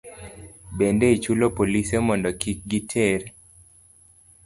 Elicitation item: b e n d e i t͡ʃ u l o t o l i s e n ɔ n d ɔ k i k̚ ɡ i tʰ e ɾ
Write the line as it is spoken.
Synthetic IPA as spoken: b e n d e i t͡ʃ u l o p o l i s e m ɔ n d ɔ k i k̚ ɡ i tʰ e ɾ

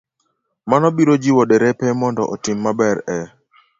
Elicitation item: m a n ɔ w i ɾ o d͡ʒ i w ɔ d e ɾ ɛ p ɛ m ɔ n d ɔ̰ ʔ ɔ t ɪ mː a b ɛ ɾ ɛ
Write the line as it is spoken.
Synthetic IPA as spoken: m a n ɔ b i ɾ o d͡ʒ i w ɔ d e ɾ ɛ p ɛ m ɔ n d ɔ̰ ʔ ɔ t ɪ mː a b ɛ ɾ ɛ

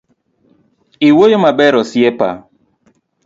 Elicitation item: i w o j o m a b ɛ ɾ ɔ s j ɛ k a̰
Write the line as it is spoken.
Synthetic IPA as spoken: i w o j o m a b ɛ ɾ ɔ s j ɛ p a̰

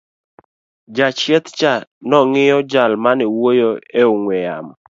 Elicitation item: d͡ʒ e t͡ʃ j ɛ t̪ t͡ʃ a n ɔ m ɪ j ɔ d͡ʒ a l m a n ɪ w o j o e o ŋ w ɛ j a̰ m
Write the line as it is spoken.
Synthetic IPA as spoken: d͡ʒ a t͡ʃ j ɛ t̪ t͡ʃ a n ɔ ŋ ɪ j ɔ d͡ʒ a l m a n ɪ w o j o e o ŋ w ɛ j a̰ m

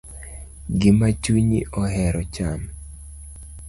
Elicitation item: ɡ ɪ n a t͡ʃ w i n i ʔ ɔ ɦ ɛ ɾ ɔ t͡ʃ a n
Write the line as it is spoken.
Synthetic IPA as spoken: ɡ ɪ m a t͡ʃ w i ɲ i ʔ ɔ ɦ ɛ ɾ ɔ t͡ʃ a m

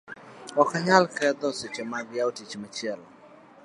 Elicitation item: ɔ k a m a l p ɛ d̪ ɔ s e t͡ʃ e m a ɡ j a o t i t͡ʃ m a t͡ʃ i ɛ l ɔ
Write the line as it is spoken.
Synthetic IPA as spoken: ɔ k a ɲ a l k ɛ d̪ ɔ s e t͡ʃ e m a ɡ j a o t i t͡ʃ m a t͡ʃ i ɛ l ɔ

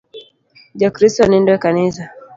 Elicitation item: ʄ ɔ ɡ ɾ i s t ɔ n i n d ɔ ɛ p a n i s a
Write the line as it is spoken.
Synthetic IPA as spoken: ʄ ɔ k ɾ i s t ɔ n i n d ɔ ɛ k a n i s a

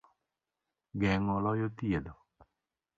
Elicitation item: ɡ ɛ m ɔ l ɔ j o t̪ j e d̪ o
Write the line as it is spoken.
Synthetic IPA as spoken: ɡ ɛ ŋ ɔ l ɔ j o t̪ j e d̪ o

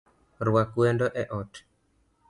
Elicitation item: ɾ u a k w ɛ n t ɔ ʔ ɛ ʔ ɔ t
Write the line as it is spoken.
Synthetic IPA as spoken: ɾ w a k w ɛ n d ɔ ʔ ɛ ʔ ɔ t

